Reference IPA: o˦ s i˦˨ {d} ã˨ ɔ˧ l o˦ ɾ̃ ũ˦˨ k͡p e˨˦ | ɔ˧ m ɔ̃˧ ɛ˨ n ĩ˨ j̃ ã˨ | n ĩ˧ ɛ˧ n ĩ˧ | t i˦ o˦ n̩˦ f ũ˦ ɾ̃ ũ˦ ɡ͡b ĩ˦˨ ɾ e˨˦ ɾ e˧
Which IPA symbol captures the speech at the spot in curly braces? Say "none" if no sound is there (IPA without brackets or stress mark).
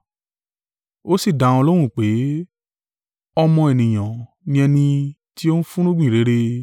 d